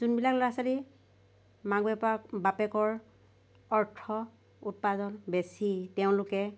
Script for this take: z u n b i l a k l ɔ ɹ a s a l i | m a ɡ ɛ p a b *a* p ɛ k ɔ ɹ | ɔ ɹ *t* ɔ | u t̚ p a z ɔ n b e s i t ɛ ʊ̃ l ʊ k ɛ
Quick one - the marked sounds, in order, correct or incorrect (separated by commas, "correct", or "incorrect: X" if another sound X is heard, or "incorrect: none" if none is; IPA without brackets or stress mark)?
correct, incorrect: tʰ